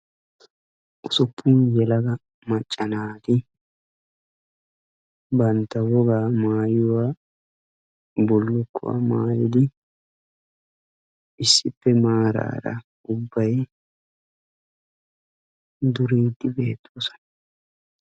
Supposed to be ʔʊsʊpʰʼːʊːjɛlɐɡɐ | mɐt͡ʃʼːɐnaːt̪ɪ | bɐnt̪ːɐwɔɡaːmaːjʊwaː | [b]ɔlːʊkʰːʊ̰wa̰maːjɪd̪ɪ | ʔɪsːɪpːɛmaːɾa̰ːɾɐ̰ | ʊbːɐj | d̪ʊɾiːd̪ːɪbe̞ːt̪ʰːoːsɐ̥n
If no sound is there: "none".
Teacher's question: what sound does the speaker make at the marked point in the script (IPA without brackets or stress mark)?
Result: b